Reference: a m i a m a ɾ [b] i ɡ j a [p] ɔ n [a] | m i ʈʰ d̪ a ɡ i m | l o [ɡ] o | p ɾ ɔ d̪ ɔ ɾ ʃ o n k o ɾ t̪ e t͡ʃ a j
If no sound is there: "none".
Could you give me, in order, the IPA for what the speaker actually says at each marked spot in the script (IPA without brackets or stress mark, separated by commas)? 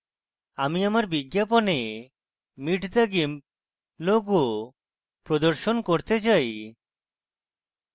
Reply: b, p, e, ɡ